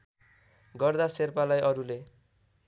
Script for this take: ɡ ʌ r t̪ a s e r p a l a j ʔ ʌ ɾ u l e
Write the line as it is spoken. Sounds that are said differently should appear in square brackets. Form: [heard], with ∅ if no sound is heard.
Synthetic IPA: ɡ ʌ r [d̪] a s e r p a l a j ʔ ʌ ɾ u l e